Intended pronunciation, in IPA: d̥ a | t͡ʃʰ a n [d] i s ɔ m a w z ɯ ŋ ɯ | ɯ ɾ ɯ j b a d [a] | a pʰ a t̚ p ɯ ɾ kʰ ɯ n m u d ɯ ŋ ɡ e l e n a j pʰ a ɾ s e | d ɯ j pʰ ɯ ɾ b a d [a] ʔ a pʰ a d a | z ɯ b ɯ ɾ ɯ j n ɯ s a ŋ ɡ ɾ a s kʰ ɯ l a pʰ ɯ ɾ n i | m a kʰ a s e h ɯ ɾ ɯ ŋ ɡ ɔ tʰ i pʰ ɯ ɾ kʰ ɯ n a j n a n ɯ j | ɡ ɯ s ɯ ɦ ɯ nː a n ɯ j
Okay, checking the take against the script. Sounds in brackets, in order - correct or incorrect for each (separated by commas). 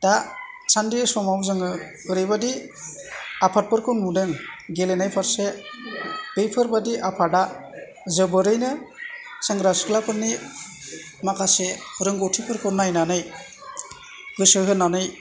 correct, incorrect, incorrect